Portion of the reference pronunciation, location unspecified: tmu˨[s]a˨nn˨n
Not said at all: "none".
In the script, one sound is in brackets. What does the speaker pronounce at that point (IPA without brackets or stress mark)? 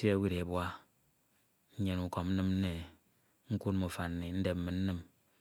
f